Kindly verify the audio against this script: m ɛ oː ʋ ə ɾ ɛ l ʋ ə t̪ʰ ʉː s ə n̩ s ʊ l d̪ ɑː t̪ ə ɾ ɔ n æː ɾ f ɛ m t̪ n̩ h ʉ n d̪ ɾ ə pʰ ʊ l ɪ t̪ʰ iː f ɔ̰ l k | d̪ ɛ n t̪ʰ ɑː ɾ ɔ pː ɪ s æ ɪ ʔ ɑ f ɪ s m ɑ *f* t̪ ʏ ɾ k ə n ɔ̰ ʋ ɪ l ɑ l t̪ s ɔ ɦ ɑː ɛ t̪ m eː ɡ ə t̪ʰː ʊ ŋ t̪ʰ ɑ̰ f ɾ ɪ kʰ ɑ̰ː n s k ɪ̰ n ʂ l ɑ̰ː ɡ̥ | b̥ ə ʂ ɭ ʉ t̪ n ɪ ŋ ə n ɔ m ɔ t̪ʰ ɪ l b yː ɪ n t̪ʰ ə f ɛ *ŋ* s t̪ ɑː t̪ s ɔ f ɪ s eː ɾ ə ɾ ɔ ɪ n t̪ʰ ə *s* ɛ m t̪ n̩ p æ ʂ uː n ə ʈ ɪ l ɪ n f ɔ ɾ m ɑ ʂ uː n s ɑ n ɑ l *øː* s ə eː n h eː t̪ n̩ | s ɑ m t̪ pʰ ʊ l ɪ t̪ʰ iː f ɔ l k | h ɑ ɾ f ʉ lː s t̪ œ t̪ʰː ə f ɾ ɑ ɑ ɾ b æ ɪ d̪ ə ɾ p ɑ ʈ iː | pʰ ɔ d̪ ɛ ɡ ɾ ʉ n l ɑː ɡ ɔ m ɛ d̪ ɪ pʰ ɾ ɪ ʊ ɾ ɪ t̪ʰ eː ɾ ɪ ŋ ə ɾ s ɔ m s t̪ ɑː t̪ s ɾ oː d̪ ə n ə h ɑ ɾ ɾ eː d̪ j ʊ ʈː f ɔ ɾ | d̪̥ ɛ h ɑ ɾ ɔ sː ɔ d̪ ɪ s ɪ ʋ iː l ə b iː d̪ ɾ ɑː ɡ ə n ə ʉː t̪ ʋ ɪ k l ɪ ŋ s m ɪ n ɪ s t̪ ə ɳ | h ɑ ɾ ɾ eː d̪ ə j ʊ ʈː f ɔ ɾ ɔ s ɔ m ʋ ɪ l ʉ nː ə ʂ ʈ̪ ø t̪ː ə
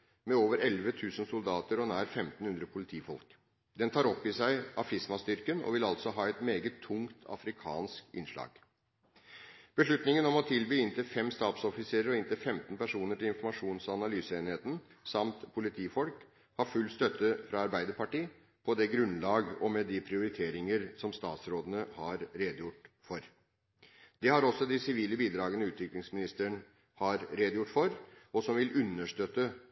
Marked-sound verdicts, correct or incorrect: incorrect, incorrect, incorrect, incorrect

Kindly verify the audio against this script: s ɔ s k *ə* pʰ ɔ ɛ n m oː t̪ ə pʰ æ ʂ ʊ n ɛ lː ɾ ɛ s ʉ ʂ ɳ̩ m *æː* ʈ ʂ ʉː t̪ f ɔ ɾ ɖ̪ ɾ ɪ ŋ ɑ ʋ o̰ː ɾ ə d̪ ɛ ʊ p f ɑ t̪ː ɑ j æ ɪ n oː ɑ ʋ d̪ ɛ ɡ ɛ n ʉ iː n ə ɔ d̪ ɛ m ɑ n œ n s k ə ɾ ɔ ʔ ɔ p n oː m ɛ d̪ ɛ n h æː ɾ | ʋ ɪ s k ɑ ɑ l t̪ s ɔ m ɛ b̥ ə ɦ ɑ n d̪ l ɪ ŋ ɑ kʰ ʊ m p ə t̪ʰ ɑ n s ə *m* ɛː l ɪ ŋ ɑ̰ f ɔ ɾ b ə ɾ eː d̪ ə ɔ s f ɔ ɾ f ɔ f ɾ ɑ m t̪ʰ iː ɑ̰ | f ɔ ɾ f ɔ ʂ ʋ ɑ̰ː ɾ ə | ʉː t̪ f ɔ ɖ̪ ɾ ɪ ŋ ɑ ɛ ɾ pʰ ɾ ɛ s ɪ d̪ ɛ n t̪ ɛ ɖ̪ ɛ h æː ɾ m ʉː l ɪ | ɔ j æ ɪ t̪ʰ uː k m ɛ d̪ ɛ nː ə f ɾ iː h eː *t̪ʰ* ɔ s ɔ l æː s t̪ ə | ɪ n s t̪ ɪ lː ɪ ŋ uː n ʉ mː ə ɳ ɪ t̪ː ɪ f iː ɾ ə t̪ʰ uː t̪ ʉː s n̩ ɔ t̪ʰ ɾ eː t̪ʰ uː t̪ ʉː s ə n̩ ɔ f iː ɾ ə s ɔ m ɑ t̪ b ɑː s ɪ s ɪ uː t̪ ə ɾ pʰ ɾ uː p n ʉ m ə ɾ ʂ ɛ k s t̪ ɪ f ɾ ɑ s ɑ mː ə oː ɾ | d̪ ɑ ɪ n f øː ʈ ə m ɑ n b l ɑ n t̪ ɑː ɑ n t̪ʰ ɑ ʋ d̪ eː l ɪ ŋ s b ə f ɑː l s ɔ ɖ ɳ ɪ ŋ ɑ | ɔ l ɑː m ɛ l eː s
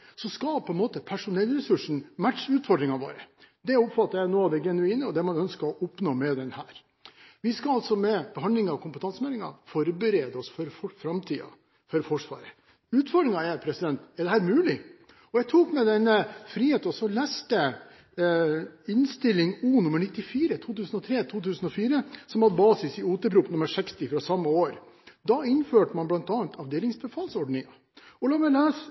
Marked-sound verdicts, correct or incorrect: incorrect, incorrect, correct, incorrect

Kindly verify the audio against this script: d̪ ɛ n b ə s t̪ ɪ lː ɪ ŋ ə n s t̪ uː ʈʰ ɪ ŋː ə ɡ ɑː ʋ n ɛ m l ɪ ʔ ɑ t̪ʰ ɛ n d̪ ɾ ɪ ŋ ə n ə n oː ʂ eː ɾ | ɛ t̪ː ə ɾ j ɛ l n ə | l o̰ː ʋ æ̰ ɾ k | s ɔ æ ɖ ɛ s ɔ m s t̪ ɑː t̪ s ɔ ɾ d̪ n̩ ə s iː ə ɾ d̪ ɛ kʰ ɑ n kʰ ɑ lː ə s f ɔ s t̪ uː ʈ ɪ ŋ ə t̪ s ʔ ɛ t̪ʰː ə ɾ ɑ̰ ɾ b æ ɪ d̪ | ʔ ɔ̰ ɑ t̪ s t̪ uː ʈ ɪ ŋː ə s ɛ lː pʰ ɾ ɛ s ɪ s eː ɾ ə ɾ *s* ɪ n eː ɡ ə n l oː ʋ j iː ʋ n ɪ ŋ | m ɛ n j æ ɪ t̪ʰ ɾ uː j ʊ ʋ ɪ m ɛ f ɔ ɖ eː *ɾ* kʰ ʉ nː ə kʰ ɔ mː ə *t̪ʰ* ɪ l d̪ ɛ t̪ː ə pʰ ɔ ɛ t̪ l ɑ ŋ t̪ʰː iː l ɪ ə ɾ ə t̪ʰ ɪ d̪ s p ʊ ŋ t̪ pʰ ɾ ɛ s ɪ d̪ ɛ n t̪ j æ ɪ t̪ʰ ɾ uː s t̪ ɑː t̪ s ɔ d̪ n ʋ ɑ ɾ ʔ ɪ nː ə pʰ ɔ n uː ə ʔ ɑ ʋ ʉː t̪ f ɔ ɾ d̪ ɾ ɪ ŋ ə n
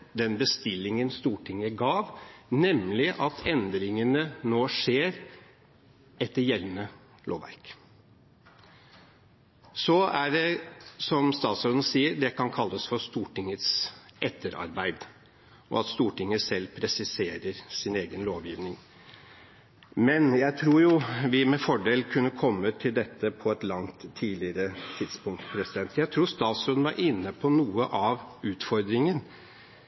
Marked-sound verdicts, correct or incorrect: correct, incorrect, correct

